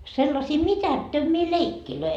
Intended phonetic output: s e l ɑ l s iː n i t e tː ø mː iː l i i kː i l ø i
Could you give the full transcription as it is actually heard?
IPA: s e lː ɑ s iː m i t æ tː ø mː iː l e i kː i l ø i